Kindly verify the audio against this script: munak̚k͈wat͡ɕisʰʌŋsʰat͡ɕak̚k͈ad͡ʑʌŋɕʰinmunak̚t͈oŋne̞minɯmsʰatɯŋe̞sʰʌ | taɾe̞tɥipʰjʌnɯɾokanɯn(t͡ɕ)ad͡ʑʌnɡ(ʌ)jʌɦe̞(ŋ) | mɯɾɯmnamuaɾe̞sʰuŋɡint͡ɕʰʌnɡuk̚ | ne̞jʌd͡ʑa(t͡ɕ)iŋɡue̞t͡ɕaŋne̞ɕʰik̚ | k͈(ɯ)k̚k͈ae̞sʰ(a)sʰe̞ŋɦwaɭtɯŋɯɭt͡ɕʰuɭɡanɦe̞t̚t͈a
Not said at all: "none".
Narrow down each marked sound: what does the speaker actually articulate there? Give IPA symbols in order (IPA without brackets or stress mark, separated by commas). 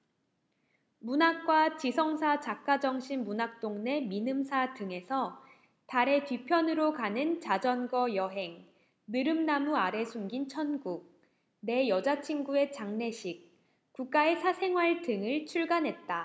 t͡ɕ, ʌ, ŋ, t͡ɕʰ, u, a